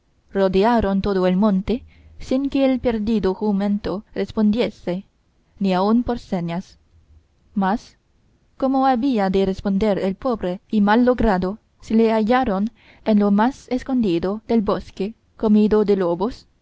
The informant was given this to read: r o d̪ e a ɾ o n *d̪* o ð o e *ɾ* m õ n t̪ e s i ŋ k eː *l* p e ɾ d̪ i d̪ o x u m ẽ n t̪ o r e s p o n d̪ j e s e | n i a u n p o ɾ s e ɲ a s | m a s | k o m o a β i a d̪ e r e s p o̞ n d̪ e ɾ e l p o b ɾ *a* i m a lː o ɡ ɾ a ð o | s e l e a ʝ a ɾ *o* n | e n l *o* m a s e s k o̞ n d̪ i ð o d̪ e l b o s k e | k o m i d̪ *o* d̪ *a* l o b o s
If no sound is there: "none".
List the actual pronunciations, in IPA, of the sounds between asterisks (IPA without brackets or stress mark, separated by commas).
t̪, l, l, e, o, o, o, e